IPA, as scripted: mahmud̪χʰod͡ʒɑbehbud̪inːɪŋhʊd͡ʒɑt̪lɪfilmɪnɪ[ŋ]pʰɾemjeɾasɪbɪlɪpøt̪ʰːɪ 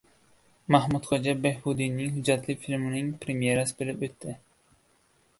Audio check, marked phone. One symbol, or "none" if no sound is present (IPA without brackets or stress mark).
ŋ